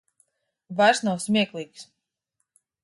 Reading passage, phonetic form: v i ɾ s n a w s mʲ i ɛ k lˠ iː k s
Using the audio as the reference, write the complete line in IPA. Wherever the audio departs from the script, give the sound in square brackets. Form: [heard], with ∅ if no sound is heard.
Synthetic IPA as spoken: v [a] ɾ s n a w s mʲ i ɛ k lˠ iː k s